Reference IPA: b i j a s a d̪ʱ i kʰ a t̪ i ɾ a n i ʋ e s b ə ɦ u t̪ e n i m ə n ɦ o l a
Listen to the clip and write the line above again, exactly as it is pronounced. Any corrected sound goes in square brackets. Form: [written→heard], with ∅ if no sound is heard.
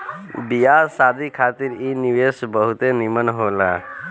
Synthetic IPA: b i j a s a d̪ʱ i kʰ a t̪ i ɾ [a→i] n i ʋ e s b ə ɦ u t̪ e n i m ə n ɦ o l a